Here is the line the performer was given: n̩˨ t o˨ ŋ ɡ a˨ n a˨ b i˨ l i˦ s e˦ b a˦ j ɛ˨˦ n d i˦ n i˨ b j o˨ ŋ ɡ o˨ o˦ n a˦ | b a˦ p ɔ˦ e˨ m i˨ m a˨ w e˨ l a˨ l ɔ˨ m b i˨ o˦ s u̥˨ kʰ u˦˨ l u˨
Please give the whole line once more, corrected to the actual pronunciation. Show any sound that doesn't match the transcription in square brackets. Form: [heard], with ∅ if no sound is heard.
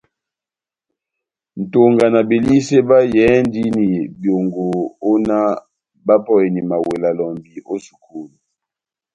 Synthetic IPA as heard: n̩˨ t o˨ ŋ ɡ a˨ n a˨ b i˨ l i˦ s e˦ b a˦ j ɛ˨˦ n d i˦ n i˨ b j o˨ ŋ ɡ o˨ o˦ n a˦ | b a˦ p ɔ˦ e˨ [n] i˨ m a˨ w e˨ l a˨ l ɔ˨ m b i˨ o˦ s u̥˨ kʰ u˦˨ l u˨